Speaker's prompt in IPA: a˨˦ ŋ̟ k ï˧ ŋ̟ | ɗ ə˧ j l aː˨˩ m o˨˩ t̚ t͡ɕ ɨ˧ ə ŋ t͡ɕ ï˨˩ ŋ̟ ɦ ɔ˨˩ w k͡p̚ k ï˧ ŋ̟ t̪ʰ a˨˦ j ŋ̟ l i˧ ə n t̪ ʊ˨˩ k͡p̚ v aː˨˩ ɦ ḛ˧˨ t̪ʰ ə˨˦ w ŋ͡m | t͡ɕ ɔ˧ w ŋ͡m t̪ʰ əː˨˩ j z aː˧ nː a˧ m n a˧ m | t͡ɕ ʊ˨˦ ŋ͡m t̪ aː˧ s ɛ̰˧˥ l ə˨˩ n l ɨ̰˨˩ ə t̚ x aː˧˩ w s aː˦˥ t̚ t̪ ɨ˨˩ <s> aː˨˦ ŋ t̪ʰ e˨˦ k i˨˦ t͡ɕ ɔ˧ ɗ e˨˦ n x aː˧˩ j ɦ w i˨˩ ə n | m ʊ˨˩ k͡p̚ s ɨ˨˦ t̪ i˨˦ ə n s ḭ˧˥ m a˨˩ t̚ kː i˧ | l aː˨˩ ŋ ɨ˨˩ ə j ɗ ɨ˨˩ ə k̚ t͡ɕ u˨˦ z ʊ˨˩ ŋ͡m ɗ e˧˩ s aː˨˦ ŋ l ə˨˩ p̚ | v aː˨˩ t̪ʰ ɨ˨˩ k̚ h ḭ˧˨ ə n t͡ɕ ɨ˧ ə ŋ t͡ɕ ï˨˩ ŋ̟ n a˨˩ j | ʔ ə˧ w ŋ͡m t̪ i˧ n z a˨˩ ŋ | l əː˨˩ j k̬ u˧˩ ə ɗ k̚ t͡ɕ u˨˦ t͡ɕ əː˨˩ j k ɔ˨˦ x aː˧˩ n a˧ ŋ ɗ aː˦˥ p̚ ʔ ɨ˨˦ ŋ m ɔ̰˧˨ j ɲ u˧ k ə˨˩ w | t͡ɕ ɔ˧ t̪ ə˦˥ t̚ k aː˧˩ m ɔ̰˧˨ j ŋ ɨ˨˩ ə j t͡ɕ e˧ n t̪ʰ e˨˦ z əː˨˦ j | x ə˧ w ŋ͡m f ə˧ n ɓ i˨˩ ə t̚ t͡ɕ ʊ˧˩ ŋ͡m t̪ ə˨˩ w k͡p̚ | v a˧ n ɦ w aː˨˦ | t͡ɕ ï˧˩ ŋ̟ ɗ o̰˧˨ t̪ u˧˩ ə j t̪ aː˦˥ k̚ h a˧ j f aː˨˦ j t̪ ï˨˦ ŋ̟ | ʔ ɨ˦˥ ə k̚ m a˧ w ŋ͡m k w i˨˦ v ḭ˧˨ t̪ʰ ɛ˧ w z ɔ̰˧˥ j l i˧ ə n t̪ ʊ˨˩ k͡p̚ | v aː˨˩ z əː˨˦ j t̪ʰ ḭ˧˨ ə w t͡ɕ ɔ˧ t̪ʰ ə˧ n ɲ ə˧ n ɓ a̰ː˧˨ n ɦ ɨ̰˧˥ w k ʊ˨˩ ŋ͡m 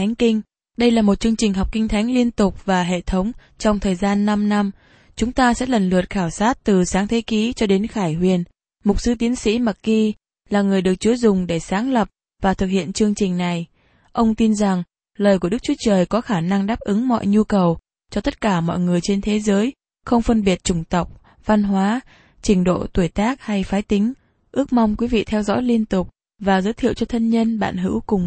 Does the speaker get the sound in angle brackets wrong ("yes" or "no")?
no